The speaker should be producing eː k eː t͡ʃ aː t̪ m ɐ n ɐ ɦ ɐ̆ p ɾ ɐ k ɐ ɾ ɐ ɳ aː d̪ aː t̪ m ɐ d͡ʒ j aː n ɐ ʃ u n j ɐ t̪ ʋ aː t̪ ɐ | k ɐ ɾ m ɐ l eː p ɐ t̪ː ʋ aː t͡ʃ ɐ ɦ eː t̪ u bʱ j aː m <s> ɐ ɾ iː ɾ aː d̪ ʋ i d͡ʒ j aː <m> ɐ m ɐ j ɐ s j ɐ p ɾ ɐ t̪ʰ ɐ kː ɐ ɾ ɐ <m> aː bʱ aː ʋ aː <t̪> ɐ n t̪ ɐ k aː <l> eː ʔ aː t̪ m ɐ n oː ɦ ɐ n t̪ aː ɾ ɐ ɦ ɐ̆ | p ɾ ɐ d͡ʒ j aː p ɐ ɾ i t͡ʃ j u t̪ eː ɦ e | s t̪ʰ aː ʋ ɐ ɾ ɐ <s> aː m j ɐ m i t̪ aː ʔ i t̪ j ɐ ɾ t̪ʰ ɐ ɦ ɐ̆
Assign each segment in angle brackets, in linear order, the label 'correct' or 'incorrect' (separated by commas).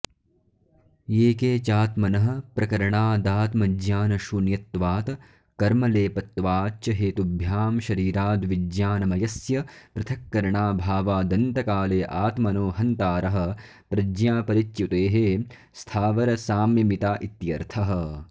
incorrect, incorrect, incorrect, incorrect, correct, correct